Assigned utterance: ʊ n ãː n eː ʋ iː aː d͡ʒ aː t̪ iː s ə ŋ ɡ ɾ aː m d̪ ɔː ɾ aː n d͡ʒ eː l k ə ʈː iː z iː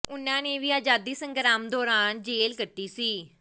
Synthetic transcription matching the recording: ʊ n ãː n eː ʋ iː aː d͡ʒ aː d̪ iː s ə ŋ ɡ ɾ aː m d̪ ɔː ɾ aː n d͡ʒ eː l k ə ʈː iː s iː